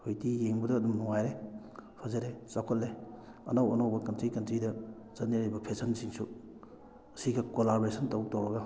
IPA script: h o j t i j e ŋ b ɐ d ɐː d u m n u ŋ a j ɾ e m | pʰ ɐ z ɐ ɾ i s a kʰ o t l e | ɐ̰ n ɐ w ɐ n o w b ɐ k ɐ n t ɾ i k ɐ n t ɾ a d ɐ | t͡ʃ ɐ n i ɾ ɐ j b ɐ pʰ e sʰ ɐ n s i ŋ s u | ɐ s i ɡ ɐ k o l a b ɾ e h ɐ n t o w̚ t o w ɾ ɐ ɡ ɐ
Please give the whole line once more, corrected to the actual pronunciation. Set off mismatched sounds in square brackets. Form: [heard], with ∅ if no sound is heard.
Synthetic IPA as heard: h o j t i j e ŋ b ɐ d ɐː d u m n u ŋ a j ɾ e [∅] | pʰ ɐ z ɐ ɾ [e] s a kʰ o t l e | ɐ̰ n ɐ w ɐ n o w b ɐ k ɐ n t ɾ i k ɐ n t ɾ [i] d ɐ | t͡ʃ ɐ n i ɾ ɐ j b ɐ pʰ e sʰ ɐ n s i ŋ s u | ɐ s i ɡ ɐ k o l a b ɾ e [s] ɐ n t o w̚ t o w ɾ ɐ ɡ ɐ